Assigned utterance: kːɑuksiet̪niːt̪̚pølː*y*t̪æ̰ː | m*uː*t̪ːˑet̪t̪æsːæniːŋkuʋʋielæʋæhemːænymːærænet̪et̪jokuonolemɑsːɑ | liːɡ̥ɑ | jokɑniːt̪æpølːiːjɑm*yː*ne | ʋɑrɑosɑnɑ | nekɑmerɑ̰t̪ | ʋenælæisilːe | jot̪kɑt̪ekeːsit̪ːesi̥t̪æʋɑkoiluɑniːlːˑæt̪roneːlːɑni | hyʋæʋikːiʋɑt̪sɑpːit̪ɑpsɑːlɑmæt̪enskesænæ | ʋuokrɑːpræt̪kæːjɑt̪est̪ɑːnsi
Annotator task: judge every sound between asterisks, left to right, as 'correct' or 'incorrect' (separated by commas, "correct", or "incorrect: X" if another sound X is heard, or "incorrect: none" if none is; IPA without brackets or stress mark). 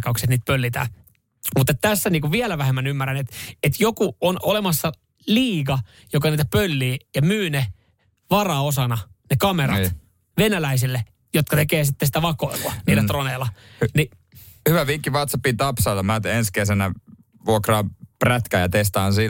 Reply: incorrect: i, incorrect: u, correct